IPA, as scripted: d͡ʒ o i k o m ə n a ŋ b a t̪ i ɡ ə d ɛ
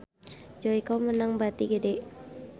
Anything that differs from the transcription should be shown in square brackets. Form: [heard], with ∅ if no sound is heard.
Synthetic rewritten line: d͡ʒ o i k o m ə n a ŋ b a t̪ i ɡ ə d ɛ